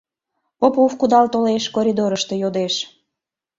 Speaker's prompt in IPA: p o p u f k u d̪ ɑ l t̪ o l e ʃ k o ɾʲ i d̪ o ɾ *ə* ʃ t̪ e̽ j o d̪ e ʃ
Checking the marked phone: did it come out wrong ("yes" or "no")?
no